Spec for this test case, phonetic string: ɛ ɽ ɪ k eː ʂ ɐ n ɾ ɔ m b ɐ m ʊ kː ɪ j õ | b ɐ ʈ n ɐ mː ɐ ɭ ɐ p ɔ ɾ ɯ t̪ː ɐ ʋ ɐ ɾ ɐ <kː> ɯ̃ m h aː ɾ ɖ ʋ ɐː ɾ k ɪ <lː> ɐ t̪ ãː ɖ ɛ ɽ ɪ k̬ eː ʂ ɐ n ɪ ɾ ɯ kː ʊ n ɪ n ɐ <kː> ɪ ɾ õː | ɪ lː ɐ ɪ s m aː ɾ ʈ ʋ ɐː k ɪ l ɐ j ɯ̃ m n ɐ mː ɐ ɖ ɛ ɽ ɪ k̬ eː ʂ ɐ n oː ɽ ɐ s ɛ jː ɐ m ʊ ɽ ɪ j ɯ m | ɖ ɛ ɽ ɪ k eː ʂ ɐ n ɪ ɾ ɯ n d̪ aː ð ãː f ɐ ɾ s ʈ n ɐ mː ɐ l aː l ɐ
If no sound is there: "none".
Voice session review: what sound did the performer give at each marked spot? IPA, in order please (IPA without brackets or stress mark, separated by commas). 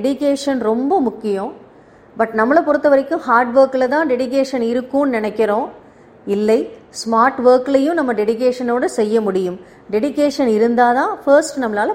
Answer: kː, l, kː